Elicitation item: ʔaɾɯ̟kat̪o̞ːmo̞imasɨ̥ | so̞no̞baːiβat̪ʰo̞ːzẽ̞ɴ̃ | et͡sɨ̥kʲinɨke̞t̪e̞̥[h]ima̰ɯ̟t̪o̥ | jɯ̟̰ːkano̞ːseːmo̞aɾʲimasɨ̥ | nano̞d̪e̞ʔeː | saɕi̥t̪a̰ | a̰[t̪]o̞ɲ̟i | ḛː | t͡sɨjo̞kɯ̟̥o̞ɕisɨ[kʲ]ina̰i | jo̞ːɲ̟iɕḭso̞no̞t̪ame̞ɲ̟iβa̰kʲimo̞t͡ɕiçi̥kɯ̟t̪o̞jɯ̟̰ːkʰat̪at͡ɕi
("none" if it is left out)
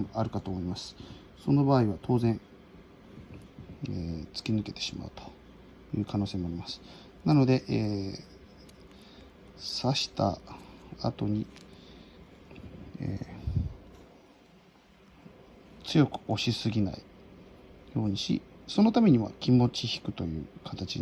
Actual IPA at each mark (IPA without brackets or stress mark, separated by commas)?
ɕ, t̪, ɡʲ